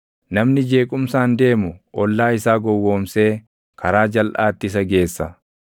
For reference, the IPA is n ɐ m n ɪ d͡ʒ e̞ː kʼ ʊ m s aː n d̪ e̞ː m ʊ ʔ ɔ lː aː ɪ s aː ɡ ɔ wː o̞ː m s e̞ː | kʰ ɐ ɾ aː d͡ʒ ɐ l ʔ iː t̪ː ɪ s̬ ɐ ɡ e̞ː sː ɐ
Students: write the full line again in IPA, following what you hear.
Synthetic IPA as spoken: n ɐ m n ɪ d͡ʒ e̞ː kʼ ʊ m s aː n d̪ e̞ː m ʊ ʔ ɔ lː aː ɪ s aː ɡ ɔ wː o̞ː m s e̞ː | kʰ ɐ ɾ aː d͡ʒ ɐ l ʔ aː t̪ː ɪ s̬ ɐ ɡ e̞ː sː ɐ